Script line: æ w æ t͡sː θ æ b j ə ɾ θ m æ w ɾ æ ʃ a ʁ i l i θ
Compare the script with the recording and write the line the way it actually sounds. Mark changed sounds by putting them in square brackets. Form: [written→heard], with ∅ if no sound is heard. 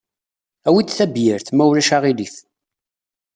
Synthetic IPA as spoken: æ w [æ→i] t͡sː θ æ b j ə ɾ θ m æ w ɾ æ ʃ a ʁ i l i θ